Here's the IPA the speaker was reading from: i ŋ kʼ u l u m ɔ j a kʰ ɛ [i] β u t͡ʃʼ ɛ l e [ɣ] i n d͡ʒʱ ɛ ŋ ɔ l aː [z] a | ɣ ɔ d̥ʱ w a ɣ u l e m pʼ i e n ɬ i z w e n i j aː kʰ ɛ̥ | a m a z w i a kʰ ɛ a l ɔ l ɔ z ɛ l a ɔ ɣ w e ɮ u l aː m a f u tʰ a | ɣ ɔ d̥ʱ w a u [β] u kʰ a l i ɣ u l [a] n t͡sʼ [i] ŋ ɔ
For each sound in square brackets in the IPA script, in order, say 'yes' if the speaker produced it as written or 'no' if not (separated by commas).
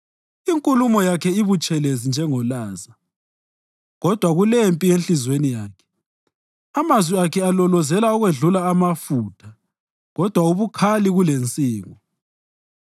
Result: yes, no, yes, yes, no, no